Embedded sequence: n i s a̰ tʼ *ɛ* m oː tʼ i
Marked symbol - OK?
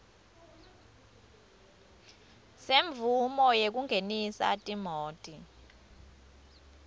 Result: no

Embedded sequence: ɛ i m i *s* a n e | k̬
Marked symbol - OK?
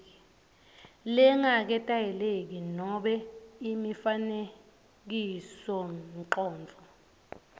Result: no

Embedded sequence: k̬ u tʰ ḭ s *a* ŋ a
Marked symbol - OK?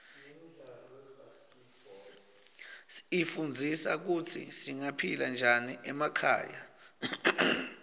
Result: no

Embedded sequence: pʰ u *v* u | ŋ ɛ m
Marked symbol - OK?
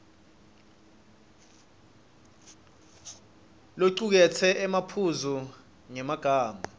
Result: no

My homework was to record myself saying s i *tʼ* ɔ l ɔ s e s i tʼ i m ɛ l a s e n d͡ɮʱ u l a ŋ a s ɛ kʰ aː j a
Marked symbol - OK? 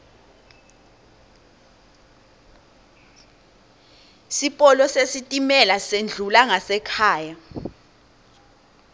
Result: no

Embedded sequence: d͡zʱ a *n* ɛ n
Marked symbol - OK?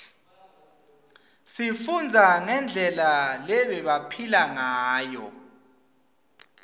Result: no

